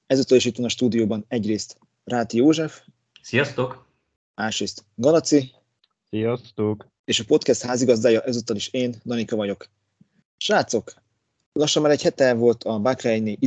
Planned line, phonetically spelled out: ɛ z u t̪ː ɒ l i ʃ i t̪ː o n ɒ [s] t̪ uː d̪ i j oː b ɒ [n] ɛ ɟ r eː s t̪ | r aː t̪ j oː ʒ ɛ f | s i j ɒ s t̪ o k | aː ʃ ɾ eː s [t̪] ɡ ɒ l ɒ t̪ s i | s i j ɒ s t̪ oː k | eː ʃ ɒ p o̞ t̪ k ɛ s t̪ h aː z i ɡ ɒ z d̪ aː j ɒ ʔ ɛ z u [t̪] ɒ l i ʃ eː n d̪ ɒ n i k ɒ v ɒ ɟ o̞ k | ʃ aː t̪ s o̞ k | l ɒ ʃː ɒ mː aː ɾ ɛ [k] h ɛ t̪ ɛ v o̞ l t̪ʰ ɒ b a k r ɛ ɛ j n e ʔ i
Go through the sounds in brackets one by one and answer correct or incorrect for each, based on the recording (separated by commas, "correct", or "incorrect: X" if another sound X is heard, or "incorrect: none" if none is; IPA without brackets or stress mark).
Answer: incorrect: ʃ, correct, correct, correct, incorrect: c